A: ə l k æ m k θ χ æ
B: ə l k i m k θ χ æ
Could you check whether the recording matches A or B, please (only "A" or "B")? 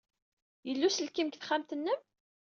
B